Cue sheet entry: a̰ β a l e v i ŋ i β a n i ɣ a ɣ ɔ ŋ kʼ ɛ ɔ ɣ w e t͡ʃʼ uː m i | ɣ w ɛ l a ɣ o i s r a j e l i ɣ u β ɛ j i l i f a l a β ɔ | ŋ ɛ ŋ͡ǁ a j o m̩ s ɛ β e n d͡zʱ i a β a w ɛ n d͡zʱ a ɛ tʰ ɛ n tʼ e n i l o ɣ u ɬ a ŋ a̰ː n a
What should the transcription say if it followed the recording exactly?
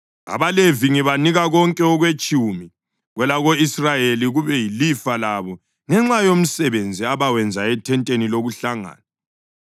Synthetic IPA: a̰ β a l e v i ŋ i β a n i ɣ a ɣ ɔ ŋ kʼ ɛ ɔ ɣ w e t͡ʃʼ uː m i | ɣ w ɛ l a ɣ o i s r a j e l i ɣ u β ɛ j i l i f a l a β ɔ | ŋ ɛ ŋ͡ǁ a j o m̩ s ɛ β e n d͡zʱ i a β a w ɛ n d͡zʱ a ɛ tʰ ɛ n tʼ e n i l o ɣ u ɬ a ŋ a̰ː n a